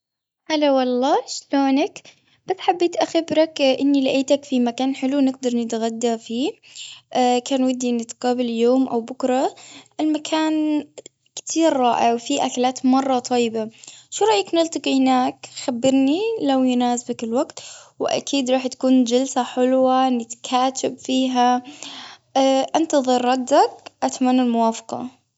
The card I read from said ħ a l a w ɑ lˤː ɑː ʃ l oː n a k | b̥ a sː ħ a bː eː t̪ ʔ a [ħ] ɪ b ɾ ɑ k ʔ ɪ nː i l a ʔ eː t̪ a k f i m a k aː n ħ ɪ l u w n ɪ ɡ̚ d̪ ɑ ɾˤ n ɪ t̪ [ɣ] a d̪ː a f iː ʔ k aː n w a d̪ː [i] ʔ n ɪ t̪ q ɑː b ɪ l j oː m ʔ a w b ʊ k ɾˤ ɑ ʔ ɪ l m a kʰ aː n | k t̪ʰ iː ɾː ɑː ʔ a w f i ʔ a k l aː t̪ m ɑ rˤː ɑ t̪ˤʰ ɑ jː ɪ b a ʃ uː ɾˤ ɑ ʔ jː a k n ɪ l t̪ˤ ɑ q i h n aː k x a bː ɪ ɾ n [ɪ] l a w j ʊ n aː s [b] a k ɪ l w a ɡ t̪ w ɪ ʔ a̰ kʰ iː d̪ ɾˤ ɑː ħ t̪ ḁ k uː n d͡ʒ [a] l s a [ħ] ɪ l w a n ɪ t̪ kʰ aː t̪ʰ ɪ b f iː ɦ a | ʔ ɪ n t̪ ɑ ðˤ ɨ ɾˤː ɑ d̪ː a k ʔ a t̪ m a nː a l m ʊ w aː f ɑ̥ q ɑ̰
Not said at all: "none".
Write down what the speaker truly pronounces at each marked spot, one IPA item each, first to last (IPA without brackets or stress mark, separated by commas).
x, ɣ, i, i, b, a, ħ